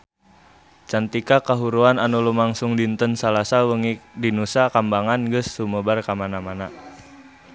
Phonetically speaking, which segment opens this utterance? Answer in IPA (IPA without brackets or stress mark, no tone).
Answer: t͡ʃ